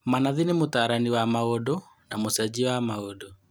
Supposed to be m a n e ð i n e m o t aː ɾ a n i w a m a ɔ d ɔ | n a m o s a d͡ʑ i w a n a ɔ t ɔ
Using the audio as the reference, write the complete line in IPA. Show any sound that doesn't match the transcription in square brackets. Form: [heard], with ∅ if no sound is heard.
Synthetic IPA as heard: m a n [a] ð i n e m o t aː ɾ a n i w a m a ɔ d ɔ | n a m o s a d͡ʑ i w a [m] a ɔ [d] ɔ